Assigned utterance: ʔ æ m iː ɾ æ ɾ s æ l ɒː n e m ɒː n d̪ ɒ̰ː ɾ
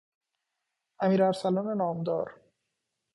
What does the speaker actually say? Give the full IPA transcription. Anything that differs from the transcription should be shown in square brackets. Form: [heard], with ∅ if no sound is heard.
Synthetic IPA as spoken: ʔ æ m iː ɾ æ ɾ s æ l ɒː n e [n] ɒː [m] d̪ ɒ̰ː ɾ